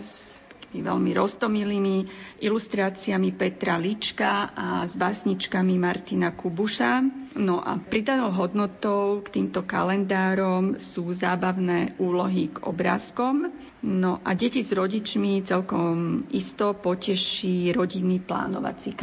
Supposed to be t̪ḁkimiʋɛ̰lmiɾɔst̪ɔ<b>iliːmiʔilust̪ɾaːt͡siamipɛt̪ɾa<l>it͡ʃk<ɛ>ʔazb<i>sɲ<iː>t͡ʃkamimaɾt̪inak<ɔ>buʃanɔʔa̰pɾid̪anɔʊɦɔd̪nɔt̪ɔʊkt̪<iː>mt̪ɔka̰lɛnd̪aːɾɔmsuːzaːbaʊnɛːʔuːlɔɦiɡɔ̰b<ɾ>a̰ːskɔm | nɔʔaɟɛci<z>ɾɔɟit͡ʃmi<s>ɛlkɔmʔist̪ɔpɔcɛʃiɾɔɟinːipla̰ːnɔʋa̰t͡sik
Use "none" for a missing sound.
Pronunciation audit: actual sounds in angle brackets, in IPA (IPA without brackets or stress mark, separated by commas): m, l, a, a, i, u, iː, ɾ, z, t͡s